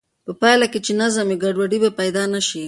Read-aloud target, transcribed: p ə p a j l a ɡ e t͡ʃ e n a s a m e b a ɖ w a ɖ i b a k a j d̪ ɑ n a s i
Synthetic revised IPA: p ə p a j l a k e t͡ʃ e n a z a m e ɡ a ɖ w a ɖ i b a p a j d̪ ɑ n a ʃ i